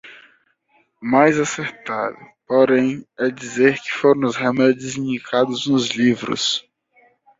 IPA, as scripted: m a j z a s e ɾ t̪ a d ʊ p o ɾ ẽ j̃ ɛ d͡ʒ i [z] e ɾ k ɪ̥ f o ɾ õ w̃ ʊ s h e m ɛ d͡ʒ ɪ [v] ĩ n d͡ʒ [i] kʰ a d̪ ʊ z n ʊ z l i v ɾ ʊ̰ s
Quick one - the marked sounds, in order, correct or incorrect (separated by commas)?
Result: correct, incorrect, correct